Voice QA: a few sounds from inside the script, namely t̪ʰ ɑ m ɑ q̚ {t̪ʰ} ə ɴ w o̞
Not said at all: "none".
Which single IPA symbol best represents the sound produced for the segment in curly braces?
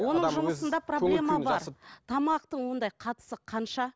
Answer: t̪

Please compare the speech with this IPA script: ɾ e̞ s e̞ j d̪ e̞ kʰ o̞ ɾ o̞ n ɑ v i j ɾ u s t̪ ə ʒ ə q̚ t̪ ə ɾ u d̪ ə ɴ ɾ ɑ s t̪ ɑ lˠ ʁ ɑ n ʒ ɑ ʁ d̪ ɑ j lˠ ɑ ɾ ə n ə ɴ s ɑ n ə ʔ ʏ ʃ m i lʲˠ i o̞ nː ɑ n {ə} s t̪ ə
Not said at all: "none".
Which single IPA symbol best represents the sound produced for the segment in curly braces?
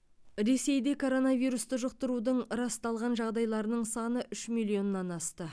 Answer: ɑ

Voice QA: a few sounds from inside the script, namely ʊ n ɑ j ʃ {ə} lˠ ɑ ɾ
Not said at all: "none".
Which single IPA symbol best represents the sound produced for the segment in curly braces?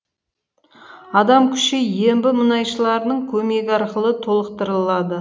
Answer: ə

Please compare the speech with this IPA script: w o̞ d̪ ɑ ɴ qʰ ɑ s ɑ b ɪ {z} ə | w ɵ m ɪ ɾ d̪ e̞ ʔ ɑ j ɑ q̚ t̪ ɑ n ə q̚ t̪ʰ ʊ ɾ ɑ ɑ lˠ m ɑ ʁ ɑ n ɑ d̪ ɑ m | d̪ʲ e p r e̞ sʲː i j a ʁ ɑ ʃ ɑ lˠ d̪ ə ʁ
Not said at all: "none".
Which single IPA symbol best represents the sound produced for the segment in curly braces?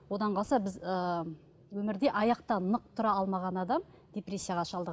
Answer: z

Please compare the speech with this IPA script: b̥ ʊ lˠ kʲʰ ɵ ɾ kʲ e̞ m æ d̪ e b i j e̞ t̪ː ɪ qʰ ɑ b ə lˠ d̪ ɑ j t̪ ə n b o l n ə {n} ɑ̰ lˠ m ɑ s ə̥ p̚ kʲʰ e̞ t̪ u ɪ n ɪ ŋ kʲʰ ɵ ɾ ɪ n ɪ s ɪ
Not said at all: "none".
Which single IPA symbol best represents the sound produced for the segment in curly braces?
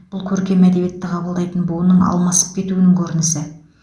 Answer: ɴ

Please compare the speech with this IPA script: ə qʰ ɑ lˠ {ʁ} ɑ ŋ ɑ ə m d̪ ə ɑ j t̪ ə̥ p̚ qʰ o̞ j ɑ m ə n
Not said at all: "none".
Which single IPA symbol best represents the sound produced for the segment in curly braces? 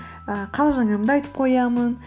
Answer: ʒ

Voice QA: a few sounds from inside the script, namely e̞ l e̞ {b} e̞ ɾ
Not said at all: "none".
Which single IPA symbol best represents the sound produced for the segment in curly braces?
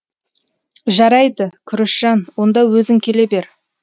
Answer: b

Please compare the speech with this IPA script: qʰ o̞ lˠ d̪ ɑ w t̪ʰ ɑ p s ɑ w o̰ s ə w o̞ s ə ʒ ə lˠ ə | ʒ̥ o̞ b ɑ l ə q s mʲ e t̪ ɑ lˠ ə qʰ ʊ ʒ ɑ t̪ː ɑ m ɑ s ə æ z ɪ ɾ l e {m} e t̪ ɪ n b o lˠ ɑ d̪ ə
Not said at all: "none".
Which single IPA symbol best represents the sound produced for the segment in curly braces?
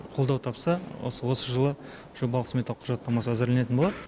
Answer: n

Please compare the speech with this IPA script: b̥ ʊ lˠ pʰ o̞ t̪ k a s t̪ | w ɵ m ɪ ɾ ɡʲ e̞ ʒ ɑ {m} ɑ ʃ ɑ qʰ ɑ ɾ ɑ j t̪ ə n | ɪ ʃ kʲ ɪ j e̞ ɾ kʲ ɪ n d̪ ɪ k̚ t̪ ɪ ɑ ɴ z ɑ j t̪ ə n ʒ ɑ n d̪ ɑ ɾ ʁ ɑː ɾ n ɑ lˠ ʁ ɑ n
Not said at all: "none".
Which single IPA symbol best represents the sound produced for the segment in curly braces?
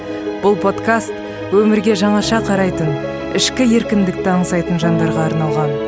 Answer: ɴ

